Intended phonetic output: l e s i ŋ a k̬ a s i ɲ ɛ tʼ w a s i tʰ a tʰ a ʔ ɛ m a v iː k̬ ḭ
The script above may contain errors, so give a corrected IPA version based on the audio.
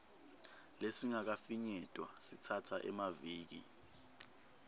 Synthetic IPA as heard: l e s i ŋ a k̬ a f i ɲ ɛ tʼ w a s i tʰ a tʰ a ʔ ɛ m a v iː k̬ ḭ